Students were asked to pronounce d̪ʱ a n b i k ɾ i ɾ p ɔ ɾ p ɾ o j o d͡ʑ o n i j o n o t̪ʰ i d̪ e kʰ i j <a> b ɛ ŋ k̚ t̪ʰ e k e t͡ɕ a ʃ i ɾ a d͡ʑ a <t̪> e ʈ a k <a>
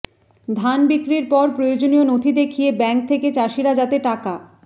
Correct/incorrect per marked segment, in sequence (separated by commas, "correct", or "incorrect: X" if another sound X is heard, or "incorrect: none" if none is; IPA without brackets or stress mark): incorrect: e, correct, correct